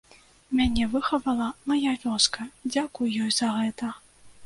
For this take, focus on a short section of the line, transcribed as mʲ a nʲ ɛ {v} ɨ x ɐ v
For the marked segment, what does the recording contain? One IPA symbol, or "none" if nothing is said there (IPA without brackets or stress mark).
v